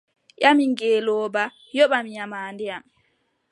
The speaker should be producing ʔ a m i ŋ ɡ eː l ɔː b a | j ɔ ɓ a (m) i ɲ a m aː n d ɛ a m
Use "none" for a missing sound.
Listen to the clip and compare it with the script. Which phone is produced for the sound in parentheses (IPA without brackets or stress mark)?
m